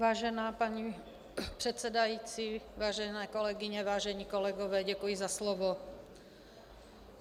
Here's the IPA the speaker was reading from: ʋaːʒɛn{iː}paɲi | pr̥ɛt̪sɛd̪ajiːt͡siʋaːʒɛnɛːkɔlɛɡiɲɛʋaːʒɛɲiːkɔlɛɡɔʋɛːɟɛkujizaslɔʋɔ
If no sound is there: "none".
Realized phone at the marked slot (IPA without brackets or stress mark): aː